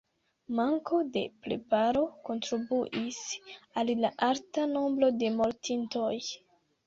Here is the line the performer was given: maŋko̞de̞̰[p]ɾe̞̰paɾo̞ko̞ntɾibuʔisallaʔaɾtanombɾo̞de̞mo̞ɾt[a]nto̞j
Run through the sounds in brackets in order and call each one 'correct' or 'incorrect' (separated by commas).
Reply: correct, incorrect